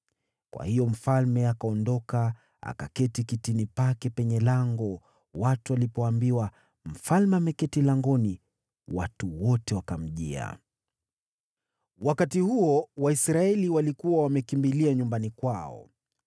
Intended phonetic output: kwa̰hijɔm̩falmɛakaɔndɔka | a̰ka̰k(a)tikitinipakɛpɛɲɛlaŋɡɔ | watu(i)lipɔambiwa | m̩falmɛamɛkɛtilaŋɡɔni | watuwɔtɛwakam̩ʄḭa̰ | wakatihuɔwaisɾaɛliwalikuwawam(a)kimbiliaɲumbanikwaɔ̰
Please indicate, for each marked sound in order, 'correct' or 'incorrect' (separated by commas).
incorrect, incorrect, incorrect